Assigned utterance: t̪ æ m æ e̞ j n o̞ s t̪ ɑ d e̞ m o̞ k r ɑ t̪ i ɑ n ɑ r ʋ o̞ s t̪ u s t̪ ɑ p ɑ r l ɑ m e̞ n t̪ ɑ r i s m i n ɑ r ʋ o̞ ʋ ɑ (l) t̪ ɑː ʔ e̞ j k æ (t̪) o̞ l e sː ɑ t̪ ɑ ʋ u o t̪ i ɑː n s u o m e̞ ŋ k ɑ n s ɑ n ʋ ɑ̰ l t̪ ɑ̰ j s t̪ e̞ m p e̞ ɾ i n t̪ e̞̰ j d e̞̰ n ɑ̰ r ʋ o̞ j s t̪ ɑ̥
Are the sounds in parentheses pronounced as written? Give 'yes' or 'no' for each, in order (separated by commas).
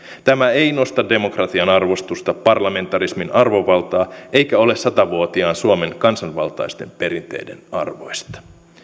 yes, no